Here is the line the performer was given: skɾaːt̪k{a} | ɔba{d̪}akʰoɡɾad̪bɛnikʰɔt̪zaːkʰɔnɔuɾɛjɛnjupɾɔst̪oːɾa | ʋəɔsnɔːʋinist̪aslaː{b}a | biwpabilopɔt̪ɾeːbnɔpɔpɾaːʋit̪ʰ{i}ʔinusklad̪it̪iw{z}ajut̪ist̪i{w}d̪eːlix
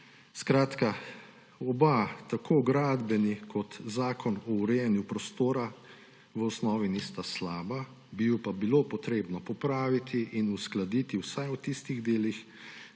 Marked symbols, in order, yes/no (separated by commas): yes, no, yes, yes, no, no